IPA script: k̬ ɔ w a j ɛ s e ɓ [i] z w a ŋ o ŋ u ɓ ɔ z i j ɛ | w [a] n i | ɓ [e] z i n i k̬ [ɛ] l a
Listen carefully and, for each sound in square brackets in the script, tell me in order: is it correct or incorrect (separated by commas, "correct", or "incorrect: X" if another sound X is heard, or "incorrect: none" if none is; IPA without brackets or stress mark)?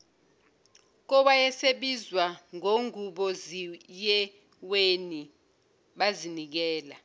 correct, incorrect: e, incorrect: a, incorrect: ɛː